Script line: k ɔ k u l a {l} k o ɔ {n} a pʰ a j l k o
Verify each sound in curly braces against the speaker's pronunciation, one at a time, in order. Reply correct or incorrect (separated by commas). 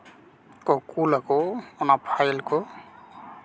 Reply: incorrect, correct